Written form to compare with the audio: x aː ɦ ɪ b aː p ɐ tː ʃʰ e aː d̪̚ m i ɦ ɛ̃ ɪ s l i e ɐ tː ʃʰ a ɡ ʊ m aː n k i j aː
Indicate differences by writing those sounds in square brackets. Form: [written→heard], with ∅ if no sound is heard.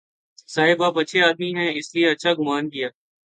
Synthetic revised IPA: [x→s] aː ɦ ɪ b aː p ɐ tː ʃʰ e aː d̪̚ m i ɦ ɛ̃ ɪ s l i e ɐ tː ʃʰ a ɡ ʊ m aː n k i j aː